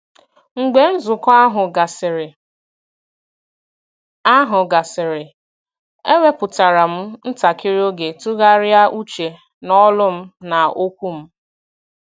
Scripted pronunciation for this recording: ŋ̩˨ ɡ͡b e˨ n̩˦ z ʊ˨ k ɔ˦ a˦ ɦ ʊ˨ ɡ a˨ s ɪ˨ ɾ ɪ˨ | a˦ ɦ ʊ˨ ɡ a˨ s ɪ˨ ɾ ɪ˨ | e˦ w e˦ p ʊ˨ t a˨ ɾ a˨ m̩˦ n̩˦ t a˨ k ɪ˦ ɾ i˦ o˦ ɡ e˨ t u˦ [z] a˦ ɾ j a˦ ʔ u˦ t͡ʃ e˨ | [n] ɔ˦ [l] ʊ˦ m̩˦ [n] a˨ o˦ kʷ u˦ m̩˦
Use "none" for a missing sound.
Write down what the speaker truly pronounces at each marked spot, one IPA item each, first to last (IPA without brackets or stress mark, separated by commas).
ɣ, n, l, n